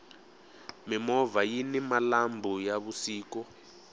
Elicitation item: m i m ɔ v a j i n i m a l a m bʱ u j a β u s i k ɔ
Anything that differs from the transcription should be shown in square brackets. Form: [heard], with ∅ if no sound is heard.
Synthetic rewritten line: m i m ɔ v a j i n i m a l a m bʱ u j a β u s [iː] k ɔ